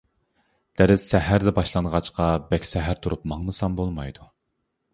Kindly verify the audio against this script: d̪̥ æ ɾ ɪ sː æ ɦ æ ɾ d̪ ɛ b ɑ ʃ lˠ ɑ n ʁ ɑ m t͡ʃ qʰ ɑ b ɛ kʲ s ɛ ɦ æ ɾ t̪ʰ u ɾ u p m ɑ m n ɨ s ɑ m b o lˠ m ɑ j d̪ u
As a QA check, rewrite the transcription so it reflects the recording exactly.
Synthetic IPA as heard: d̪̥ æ ɾ ɪ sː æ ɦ æ ɾ d̪ ɛ b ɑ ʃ lˠ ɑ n ʁ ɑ t͡ʃ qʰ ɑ b ɛ kʲ s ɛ ɦ æ ɾ t̪ʰ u ɾ u p m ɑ ŋ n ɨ s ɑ m b o lˠ m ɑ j d̪ u